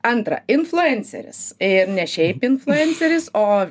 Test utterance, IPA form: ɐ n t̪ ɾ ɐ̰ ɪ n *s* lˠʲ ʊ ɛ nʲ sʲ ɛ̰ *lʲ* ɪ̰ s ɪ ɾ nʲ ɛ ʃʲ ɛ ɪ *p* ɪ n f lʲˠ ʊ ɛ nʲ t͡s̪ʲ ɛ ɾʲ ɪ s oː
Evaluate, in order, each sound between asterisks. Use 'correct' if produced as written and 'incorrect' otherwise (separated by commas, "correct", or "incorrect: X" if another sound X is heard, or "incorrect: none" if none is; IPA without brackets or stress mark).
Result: incorrect: f, incorrect: ɾʲ, correct